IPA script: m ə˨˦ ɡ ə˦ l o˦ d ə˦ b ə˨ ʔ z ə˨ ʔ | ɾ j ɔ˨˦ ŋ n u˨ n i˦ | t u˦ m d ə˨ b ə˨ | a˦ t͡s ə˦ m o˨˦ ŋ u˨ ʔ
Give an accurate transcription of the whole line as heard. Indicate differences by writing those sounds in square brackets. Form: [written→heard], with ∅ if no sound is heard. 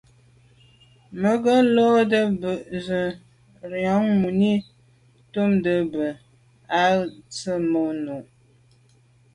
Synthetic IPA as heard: m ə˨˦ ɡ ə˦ l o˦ d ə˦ b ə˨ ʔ z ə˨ [ʔ→∅] | ɾ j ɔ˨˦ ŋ [n→m] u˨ n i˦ | t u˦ m d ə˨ b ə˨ | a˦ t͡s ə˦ m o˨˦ [ŋ→n] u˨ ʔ